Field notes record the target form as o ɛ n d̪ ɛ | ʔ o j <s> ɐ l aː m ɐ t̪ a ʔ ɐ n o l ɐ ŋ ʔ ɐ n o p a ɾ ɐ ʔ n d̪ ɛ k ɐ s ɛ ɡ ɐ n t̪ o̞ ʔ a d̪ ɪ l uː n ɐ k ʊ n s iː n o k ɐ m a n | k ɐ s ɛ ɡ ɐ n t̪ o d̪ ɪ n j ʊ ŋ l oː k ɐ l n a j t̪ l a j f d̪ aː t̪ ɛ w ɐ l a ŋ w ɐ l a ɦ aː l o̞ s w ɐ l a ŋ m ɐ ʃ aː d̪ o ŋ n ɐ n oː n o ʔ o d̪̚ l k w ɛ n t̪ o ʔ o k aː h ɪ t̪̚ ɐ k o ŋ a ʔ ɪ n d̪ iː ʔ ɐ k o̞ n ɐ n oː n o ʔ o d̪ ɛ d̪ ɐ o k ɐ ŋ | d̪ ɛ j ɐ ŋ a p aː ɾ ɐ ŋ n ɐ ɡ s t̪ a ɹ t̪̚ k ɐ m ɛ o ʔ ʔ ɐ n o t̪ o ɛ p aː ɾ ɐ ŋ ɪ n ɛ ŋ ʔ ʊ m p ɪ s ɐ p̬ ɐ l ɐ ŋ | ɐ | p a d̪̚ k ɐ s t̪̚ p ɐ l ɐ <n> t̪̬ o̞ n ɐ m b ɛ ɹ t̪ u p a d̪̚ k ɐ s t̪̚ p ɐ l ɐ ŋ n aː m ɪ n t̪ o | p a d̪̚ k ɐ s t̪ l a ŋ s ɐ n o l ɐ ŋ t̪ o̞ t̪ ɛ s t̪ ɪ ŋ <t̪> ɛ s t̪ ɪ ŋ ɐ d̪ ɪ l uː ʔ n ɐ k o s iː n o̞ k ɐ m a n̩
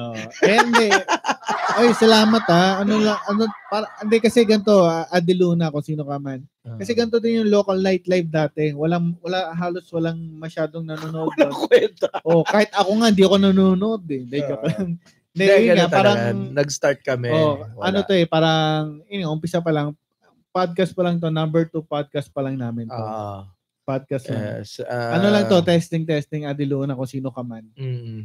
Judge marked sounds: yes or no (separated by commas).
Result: yes, no, yes